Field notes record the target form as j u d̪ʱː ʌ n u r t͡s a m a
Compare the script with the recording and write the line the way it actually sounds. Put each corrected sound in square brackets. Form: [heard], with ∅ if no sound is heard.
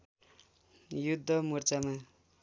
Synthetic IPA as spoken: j u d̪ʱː ʌ [m] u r t͡s a m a

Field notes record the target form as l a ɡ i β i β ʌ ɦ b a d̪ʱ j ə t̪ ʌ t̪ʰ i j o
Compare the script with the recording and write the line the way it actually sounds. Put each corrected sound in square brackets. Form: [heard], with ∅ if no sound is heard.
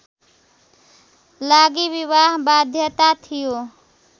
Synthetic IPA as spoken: l a ɡ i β i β [a] ɦ b a d̪ʱ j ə t̪ [a] t̪ʰ i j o

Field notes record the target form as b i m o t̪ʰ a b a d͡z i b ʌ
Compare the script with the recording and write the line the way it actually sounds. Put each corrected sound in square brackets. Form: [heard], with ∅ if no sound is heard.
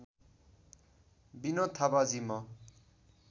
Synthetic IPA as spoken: b i [n] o t̪ʰ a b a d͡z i [m] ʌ

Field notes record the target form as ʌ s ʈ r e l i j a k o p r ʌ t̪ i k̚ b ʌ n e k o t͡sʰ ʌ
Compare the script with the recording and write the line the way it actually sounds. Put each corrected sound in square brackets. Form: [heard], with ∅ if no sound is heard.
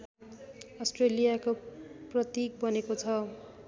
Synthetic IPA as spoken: ʌ s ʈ r e l i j a k o p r ʌ t̪ i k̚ b ʌ n e k o t͡sʰ ʌ

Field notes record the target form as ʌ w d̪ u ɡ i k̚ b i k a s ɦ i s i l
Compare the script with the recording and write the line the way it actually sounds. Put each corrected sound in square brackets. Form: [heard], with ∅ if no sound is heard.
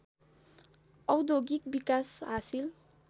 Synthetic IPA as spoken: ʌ w d̪ [o] ɡ i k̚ b i k a s ɦ [a] s i l

